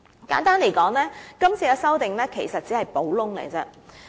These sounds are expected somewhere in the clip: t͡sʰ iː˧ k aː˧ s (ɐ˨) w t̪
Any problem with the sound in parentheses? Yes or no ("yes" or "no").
yes